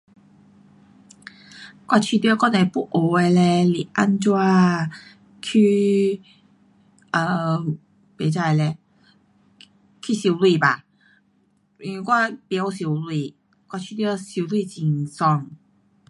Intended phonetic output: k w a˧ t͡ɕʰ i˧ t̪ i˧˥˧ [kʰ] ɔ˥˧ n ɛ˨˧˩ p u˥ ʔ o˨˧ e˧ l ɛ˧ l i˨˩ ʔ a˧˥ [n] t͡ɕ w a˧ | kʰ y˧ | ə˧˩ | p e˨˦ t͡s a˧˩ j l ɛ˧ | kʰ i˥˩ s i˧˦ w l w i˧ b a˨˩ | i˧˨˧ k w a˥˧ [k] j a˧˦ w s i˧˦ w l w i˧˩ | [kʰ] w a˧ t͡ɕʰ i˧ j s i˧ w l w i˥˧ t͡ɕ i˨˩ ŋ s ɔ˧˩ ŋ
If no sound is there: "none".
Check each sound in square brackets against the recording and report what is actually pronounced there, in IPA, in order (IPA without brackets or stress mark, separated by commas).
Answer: k, n, p, k